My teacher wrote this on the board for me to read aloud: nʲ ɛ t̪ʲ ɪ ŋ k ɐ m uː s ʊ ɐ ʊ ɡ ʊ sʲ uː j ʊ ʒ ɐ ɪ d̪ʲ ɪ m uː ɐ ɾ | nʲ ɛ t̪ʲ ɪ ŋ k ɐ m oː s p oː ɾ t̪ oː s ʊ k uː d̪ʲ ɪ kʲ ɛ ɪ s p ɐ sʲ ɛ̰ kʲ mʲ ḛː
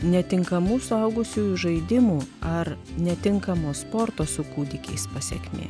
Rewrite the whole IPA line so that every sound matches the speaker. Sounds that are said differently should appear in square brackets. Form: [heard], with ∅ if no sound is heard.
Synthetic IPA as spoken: nʲ ɛ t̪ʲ ɪ ŋ k ɐ m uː s ʊ ɐ ʊ ɡ ʊ sʲ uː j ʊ ʒ ɐ ɪ d̪ʲ ɪ m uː ɐ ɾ | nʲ ɛ t̪ʲ ɪ ŋ k ɐ m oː s p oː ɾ t̪ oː s ʊ k uː d̪ʲ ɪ kʲ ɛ ɪ s p ɐ sʲ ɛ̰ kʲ mʲ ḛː